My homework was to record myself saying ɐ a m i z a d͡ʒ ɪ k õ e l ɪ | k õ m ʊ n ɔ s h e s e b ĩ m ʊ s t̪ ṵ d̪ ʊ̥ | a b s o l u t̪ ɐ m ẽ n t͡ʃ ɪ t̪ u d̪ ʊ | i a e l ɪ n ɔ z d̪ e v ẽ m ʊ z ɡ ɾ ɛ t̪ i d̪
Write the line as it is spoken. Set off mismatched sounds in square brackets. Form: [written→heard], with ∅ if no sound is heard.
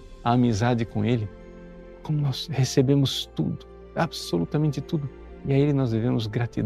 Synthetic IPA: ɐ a m i z a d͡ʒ ɪ k õ e l ɪ | k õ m ʊ n ɔ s h e s e b [ĩ→ẽ] m ʊ s t̪ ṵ d̪ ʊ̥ | a b s o l u t̪ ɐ m ẽ n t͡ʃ ɪ t̪ u d̪ ʊ | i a e l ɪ n ɔ z d̪ e v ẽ m ʊ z ɡ ɾ [ɛ→a] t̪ i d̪